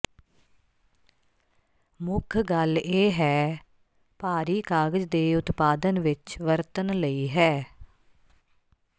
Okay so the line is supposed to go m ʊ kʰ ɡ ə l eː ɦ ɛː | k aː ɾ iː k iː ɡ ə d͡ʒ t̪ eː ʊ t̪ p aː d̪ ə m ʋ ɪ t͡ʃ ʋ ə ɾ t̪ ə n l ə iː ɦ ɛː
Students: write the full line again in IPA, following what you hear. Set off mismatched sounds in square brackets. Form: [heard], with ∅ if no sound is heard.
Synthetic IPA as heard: m ʊ kʰ ɡ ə l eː ɦ ɛː | [p] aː ɾ iː k [aː] ɡ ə d͡ʒ [d̪] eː ʊ t̪ p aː d̪ ə [n] ʋ ɪ t͡ʃ ʋ ə ɾ t̪ ə n l ə iː ɦ ɛː